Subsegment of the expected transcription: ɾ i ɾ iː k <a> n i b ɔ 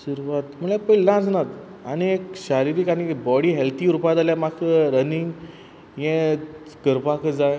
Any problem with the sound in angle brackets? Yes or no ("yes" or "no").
no